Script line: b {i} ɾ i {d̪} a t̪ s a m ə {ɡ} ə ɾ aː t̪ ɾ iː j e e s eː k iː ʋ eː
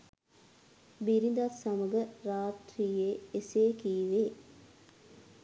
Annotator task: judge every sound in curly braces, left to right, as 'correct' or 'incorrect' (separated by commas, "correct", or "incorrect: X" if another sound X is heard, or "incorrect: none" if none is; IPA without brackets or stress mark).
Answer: correct, correct, correct